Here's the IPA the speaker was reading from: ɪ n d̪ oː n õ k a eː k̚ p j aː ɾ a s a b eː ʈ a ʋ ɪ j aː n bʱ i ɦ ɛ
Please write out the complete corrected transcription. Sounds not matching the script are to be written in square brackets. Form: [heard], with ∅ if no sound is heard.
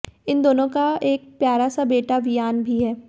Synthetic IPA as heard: ɪ n d̪ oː n õ k a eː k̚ p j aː ɾ a s a b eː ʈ a ʋ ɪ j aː n bʱ i ɦ [ɛː]